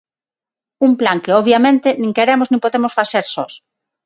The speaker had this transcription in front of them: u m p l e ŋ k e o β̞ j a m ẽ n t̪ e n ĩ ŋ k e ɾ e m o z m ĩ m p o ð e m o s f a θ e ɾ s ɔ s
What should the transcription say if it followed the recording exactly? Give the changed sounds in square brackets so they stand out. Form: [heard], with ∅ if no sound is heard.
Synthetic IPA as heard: u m p l [a] ŋ k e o β̞ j a m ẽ n t̪ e n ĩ ŋ k e ɾ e m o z [n] ĩ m p o ð e m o s f a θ e ɾ s ɔ s